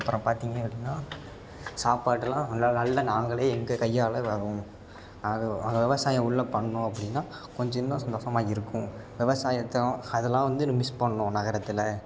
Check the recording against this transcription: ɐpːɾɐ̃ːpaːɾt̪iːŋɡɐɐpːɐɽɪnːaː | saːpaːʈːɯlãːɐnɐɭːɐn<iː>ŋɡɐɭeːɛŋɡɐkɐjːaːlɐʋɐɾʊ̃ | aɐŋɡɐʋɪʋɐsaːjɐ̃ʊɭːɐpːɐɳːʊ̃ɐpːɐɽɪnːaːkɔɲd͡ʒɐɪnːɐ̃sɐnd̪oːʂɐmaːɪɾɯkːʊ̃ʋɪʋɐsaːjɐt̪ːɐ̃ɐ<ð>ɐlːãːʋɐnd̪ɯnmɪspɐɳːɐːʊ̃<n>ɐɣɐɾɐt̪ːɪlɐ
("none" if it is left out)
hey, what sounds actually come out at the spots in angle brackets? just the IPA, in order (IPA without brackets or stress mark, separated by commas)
aː, ð, n